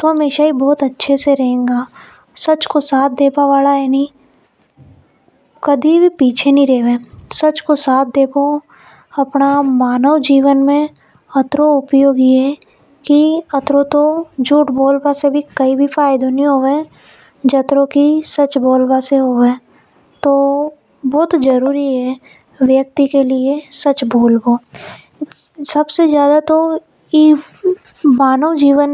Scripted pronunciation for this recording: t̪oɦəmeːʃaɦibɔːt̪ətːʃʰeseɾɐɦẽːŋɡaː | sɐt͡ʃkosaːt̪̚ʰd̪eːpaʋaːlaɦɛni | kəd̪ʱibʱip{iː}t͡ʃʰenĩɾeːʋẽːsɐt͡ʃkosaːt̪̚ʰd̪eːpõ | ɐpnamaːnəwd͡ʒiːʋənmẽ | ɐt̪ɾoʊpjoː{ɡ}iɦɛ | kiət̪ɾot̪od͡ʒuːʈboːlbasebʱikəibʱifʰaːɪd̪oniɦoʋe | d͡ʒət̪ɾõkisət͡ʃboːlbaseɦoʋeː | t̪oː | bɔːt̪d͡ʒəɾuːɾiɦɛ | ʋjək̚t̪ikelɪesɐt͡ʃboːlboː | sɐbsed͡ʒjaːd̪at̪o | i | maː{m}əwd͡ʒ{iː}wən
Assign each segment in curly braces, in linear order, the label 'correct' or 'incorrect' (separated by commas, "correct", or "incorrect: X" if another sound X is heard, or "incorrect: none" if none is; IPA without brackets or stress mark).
correct, correct, incorrect: n, correct